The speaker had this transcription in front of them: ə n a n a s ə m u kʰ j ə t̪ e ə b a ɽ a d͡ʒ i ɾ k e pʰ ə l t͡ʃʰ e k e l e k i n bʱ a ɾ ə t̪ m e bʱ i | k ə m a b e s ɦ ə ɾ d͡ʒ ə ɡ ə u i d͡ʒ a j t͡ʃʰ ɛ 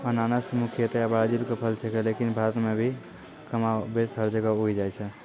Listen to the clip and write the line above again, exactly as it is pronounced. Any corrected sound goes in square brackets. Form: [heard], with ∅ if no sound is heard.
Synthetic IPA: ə n a n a s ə m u kʰ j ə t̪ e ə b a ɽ a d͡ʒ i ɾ k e pʰ ə l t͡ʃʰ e k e l e k i n bʱ a ɾ ə t̪ m e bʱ i | k ə m a b e s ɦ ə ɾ d͡ʒ ə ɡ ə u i d͡ʒ a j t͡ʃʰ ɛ